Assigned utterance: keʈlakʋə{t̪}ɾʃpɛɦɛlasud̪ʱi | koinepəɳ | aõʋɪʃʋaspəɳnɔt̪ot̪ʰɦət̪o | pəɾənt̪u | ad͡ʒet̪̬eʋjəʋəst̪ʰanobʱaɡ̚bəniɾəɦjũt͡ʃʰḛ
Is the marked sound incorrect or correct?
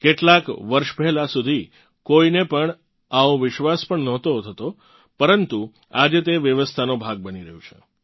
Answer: incorrect